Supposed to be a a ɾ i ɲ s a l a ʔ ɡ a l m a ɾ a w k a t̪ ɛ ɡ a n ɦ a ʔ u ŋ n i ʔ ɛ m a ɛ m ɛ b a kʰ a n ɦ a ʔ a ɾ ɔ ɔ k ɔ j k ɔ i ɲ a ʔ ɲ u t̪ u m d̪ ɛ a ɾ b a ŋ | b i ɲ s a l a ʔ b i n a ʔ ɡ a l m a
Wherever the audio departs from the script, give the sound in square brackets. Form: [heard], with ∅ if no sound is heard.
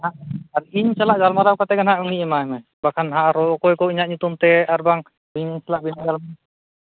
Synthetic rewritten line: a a ɾ i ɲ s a l a ʔ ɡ a l m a ɾ a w k a t̪ ɛ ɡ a n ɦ a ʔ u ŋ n i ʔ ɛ m a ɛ m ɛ b a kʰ a n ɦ a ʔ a ɾ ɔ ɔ k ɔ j k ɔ i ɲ a ʔ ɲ u t̪ u m [t̪] ɛ a ɾ b a ŋ | b i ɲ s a l a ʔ b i n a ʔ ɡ a l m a